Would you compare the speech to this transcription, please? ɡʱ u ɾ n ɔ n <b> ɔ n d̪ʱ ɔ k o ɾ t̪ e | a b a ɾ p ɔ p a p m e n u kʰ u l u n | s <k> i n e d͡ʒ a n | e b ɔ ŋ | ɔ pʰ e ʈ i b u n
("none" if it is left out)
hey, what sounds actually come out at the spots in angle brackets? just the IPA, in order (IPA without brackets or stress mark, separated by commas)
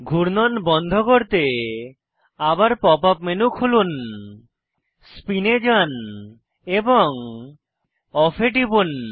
b, p